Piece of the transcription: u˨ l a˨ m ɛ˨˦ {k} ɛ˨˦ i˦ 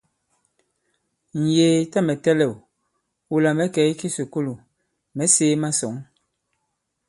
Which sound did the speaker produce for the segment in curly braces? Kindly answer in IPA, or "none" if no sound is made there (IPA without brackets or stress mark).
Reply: k